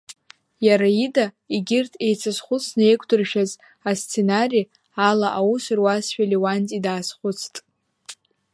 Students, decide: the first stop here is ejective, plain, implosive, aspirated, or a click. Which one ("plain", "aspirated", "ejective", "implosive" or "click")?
plain